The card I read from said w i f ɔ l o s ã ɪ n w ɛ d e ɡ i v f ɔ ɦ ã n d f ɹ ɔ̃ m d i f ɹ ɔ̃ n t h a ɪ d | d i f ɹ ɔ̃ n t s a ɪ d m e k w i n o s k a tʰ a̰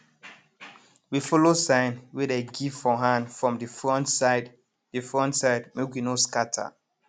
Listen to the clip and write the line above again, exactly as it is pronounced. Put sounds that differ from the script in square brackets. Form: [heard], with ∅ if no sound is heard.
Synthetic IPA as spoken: w i f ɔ l o s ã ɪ n w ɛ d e ɡ i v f ɔ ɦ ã n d f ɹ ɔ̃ m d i f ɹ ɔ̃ n t [s] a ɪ d | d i f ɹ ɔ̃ n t s a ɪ d m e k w i n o s k a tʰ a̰